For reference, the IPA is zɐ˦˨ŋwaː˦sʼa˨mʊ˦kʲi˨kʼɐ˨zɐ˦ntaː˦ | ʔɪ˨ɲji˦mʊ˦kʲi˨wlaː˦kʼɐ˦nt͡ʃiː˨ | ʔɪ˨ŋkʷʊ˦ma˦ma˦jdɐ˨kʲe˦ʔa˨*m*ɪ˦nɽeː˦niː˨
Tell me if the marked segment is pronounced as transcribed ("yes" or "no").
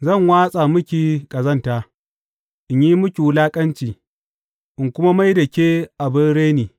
no